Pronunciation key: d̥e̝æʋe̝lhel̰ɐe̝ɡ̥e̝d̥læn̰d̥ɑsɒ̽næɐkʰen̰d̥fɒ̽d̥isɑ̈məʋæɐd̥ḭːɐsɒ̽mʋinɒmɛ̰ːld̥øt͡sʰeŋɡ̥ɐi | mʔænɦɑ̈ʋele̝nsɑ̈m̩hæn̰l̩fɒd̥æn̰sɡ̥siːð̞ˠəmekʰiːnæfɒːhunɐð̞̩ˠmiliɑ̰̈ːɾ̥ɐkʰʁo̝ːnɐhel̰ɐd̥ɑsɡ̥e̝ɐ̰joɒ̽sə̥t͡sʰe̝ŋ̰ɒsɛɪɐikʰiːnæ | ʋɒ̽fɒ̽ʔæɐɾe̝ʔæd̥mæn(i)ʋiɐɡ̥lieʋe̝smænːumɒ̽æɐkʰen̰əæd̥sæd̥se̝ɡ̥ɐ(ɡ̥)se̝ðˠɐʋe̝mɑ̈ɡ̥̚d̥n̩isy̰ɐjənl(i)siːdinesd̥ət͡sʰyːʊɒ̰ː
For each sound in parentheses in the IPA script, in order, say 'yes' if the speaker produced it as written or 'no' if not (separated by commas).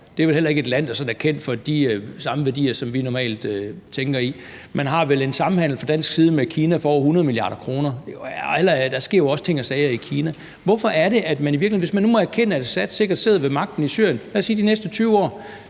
yes, no, no